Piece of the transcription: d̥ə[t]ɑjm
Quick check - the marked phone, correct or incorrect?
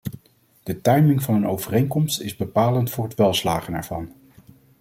correct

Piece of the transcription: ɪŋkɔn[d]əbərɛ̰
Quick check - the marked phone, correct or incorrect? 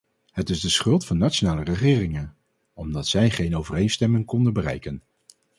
correct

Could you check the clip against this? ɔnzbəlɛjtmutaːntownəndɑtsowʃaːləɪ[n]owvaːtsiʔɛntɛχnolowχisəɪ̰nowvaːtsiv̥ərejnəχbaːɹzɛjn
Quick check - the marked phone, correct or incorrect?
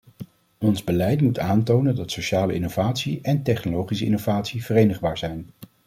correct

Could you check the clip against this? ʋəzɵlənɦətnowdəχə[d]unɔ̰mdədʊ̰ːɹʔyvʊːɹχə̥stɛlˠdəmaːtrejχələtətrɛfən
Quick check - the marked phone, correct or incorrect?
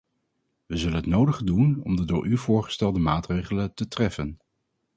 correct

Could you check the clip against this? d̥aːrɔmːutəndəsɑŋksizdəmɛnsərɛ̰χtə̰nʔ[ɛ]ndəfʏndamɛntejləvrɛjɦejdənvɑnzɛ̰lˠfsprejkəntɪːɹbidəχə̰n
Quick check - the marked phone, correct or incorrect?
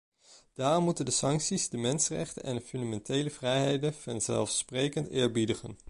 correct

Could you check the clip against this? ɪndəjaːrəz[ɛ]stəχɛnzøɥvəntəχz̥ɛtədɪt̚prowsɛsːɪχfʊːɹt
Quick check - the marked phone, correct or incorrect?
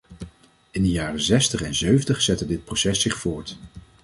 correct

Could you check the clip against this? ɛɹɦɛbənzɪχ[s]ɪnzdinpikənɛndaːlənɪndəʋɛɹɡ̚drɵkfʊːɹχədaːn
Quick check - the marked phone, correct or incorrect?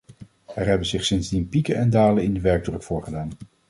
correct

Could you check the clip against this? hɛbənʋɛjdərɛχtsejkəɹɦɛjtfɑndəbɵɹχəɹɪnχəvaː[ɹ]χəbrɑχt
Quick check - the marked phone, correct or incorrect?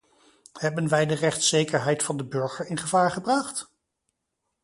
correct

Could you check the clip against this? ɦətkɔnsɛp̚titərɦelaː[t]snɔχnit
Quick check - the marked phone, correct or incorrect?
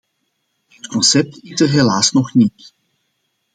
incorrect: none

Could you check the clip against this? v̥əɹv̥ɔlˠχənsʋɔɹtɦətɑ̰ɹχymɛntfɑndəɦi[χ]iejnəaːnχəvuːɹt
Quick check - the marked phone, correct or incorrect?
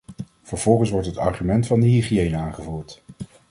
correct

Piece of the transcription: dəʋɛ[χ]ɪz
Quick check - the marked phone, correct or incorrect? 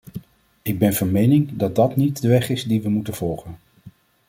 correct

